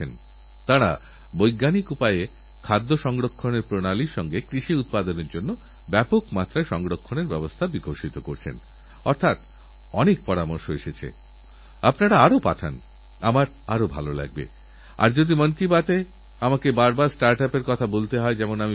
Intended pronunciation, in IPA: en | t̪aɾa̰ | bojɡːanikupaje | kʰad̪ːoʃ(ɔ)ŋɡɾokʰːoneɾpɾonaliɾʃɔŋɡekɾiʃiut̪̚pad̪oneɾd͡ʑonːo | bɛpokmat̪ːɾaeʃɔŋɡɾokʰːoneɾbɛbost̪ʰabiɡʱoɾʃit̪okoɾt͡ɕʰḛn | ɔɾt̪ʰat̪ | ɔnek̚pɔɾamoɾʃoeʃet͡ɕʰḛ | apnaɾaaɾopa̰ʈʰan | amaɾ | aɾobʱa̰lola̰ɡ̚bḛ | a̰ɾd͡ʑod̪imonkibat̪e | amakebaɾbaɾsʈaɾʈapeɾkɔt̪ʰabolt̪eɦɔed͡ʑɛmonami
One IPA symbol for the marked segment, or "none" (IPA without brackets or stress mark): ɔ